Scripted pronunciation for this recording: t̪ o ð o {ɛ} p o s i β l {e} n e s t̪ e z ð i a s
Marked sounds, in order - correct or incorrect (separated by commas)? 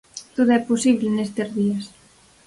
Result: correct, correct